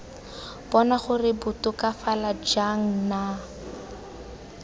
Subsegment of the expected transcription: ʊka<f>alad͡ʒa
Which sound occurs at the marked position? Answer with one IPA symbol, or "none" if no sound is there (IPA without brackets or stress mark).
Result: f